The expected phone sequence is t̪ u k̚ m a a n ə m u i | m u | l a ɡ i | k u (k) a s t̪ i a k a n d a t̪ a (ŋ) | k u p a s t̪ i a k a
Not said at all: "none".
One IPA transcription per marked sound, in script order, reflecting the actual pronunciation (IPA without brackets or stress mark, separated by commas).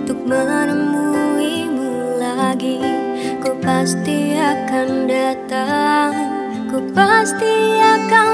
p, ŋ